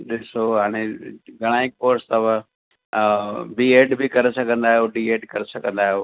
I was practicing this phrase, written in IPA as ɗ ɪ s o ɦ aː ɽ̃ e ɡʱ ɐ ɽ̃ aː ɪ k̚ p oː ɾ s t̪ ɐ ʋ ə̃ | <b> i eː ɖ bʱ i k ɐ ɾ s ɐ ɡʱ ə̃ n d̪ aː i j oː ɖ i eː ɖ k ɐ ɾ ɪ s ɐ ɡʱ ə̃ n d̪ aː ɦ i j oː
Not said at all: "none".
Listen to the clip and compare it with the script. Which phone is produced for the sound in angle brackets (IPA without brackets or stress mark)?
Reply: b